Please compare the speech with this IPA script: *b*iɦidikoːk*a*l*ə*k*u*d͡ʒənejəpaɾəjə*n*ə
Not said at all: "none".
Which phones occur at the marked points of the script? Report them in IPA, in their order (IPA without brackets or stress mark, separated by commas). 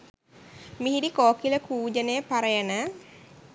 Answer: m, i, ə, uː, n